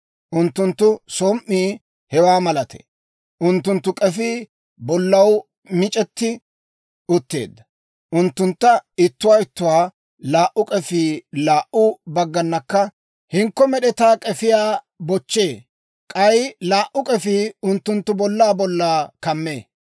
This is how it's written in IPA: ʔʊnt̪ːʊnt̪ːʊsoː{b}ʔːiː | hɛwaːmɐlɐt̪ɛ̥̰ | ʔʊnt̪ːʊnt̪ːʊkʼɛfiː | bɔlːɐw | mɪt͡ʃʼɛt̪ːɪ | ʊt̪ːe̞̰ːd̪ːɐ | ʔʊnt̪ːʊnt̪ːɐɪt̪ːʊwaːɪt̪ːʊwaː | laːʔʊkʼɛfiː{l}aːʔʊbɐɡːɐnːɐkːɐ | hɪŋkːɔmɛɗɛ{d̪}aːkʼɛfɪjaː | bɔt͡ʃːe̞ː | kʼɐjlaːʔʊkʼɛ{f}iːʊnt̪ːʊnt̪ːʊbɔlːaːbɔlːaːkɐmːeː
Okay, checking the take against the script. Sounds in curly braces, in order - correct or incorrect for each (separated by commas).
incorrect, correct, incorrect, correct